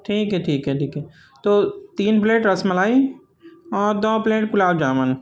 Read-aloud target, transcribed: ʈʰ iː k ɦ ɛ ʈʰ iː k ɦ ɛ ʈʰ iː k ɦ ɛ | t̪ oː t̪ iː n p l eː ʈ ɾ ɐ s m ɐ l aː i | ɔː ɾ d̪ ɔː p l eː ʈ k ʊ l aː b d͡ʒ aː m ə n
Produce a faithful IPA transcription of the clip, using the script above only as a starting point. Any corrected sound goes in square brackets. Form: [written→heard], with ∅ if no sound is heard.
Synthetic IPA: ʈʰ iː k ɦ ɛ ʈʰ iː k ɦ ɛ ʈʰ iː k ɦ ɛ | t̪ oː t̪ iː n p l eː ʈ ɾ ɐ s m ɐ l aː i | ɔː ɾ d̪ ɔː p l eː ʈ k ʊ l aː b d͡ʒ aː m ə n